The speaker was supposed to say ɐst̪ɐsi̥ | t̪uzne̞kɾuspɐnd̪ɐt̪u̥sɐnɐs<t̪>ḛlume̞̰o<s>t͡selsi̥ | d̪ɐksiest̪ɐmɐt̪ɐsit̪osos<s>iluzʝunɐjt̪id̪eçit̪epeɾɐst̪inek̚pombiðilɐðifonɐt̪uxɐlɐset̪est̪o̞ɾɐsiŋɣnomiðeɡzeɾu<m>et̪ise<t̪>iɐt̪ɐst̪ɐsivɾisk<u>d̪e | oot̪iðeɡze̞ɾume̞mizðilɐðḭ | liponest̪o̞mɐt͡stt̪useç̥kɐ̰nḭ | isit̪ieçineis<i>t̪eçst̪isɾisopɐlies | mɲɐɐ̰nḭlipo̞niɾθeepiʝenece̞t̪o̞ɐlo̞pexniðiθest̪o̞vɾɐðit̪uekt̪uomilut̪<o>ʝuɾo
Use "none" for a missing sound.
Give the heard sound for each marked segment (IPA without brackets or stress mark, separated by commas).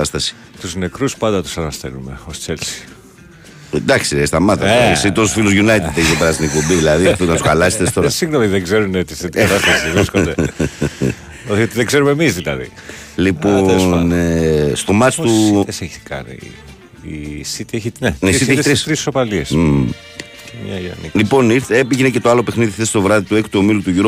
t̪, s, f, n, t̪, o, i, u